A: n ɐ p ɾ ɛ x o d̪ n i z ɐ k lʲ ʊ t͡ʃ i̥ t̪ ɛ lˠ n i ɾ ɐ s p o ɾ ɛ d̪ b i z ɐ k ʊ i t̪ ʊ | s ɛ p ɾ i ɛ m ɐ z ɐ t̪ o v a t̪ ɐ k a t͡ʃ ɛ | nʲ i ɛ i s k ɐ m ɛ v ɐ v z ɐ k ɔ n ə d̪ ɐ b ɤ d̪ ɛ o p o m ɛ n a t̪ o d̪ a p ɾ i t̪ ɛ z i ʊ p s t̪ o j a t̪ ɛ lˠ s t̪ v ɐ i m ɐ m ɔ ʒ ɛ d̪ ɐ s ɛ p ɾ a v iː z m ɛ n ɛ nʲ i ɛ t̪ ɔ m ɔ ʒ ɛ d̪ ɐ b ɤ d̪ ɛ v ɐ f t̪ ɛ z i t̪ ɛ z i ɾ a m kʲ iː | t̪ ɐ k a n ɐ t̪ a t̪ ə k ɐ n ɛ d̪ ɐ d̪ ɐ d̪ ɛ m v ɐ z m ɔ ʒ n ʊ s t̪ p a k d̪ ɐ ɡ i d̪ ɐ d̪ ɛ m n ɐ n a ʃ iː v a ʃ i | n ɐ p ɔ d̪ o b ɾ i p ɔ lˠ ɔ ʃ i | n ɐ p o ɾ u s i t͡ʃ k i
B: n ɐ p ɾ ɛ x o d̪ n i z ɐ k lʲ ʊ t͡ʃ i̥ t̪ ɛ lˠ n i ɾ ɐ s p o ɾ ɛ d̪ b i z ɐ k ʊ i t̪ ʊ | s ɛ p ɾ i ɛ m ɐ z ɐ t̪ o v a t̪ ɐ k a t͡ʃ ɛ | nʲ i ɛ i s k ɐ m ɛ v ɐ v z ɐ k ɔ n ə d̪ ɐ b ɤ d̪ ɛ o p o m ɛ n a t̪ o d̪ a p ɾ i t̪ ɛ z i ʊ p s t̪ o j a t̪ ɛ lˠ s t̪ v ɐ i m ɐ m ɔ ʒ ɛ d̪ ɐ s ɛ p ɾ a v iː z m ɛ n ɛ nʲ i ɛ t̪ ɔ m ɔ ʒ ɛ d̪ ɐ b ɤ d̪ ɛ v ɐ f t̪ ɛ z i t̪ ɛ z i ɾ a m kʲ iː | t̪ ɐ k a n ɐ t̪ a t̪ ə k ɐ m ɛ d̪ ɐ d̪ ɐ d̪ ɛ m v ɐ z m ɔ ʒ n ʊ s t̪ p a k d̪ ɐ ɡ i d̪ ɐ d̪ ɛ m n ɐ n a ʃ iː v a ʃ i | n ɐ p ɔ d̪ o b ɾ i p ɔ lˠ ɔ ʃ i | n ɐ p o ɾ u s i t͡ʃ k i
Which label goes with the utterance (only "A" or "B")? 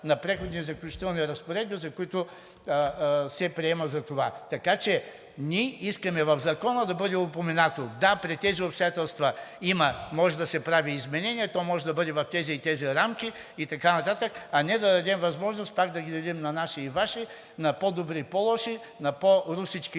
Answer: A